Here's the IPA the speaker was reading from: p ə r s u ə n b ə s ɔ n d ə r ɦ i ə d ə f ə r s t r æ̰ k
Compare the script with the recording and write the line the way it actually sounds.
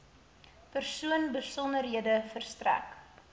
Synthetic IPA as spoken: p ə r s u ə n b ə s ɔ n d ə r ɦ i ə d ə f ə r s t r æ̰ k